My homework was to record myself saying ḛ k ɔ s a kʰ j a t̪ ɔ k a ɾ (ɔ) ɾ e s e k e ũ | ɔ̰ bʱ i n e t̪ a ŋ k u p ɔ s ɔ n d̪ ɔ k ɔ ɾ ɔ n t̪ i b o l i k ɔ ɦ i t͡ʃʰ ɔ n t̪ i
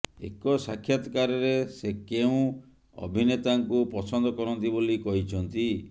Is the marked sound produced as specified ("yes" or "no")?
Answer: yes